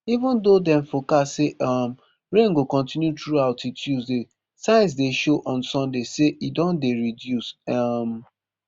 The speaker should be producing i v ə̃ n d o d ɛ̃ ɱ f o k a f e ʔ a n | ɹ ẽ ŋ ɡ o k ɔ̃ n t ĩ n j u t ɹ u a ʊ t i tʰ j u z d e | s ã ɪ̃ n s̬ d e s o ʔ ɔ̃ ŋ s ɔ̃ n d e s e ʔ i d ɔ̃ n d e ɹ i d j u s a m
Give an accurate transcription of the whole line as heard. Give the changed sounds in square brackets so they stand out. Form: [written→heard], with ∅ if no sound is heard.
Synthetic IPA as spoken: i v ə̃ n d o d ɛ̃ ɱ f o k a [f→s] e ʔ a [n→m] | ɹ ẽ ŋ ɡ o k ɔ̃ n t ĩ n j u t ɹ u a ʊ t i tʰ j u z d e | s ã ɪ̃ n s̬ d e [s→ʃ] o ʔ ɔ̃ [ŋ→n] s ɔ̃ n d e s e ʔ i d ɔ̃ n d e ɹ i d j u s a m